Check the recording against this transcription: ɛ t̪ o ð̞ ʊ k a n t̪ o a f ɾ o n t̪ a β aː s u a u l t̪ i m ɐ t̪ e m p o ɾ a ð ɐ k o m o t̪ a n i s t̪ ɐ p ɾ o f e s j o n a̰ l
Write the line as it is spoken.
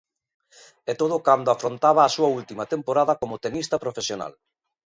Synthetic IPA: ɛ t̪ o ð̞ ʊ k a n d̪ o a f ɾ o n t̪ a β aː s u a u l t̪ i m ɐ t̪ e m p o ɾ a ð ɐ k o m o t̪ e n i s t̪ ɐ p ɾ o f e s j o n a̰ l